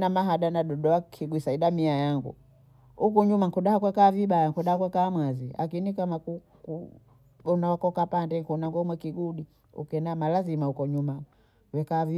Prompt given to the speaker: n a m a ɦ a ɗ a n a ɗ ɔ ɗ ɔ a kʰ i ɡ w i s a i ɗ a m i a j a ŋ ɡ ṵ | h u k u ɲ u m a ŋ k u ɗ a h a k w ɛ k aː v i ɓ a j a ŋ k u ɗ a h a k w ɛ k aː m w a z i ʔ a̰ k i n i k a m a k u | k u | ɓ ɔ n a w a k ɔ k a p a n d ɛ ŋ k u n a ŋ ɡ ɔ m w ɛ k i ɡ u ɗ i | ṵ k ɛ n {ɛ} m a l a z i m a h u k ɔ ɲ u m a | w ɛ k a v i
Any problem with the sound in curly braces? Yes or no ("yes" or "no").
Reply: yes